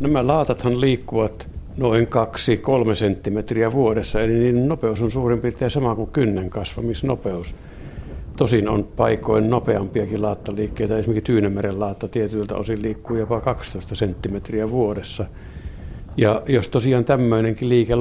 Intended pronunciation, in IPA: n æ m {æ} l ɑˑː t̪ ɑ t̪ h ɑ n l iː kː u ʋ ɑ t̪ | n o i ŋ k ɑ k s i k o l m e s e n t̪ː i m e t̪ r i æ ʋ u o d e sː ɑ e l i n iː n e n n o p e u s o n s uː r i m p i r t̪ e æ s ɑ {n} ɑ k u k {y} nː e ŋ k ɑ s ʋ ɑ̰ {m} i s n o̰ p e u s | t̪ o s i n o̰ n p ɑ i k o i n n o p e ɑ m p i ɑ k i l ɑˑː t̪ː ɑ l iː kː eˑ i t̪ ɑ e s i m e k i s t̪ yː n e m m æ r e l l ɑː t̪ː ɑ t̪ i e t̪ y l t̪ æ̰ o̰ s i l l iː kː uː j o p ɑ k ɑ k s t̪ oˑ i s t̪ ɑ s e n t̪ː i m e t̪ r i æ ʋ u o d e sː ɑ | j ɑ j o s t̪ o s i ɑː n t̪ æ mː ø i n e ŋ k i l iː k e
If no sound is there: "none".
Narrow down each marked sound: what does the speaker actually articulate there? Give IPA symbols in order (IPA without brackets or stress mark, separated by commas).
æ, m, y, m